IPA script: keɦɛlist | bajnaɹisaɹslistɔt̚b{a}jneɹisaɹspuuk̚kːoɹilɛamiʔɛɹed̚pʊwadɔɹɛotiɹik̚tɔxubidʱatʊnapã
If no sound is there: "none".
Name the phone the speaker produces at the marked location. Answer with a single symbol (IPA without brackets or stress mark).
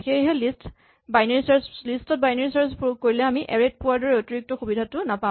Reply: a